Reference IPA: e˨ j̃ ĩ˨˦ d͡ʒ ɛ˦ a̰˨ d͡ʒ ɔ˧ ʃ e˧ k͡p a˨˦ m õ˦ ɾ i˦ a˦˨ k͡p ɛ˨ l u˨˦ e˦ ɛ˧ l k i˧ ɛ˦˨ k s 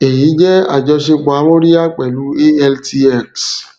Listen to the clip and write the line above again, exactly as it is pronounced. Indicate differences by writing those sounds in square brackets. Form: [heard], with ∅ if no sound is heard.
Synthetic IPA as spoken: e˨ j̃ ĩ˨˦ d͡ʒ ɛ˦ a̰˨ d͡ʒ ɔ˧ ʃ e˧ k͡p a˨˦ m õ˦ ɾ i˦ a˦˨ k͡p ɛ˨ l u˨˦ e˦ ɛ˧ l [t] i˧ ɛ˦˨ k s